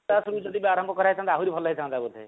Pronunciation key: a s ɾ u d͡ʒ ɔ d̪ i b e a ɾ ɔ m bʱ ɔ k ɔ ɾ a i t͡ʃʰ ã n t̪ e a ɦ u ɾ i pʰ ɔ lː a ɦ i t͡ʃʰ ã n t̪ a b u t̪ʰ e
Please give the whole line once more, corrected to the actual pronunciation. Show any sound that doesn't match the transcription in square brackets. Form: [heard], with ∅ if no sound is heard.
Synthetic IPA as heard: a s ɾ u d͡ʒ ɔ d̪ i b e a ɾ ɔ m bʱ ɔ k ɔ ɾ a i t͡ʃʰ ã n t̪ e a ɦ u ɾ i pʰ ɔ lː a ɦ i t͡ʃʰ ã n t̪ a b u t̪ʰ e

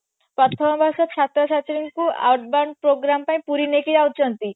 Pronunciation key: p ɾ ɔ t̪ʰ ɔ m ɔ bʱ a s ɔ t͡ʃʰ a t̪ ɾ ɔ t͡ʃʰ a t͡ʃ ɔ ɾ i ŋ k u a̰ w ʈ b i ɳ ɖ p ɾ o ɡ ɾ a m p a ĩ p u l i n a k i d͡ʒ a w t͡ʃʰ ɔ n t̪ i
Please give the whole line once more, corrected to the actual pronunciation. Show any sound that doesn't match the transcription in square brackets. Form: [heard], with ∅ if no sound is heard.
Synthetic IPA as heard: p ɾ ɔ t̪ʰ ɔ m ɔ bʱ a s ɔ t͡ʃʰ a t̪ ɾ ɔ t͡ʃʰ a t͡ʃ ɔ ɾ i ŋ k u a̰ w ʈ b [a] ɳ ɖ p ɾ o ɡ ɾ a m p a ĩ p u [ɾ] i n [e] k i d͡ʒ a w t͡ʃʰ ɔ n t̪ i

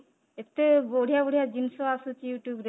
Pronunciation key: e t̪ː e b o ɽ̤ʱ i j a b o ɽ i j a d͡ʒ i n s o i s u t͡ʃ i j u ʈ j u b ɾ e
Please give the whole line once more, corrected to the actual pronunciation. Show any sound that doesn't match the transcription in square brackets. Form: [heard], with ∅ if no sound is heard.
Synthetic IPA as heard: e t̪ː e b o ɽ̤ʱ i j a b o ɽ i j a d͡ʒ i n s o [a] s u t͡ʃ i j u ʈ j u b ɾ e

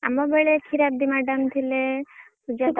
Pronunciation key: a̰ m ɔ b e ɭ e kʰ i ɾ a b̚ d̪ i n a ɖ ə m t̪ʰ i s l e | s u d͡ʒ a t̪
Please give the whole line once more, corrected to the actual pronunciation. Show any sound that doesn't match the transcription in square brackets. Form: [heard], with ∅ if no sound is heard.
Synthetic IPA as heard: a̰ m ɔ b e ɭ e kʰ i ɾ a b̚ d̪ i [m] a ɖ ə m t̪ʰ i [∅] l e | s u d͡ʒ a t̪

